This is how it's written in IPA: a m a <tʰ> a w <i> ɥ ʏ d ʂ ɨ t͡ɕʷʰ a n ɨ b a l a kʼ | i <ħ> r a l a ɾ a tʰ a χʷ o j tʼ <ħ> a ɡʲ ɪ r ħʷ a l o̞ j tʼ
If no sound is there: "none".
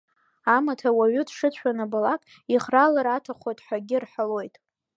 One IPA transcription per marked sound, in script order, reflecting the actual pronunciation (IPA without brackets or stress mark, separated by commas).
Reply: tʰ, a, χ, ħ